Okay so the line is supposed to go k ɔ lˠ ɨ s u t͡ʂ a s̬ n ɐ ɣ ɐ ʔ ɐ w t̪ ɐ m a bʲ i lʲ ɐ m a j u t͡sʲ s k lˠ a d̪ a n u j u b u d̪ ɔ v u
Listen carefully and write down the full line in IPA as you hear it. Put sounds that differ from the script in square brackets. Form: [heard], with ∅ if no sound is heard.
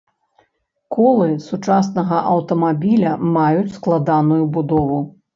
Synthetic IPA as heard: k ɔ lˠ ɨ s u t͡ʂ a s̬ n ɐ ɣ ɐ ʔ ɐ w t̪ ɐ m a bʲ i lʲ ɐ m a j u t͡sʲ s k lˠ a d̪ a n u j u b u d̪ ɔ v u